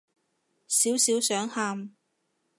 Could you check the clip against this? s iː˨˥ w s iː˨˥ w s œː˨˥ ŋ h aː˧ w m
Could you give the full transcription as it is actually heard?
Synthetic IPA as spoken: s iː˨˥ w s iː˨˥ w s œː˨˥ ŋ h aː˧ m